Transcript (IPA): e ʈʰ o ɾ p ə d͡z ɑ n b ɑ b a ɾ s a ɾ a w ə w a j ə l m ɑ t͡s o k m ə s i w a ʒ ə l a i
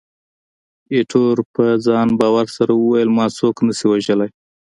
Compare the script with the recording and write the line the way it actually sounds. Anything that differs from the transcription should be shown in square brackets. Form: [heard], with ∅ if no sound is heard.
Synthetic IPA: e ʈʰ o ɾ p ə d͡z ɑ n b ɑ [w] a ɾ s a ɾ a w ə w a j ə l m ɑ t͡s o k [n] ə s i w a ʒ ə l a [j]